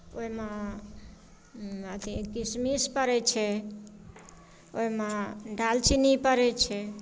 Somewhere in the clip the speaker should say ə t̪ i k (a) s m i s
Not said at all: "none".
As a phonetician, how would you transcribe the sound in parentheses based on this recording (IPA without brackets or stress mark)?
i